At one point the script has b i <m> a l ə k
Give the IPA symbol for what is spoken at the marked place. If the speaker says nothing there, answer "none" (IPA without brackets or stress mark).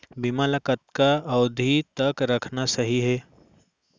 m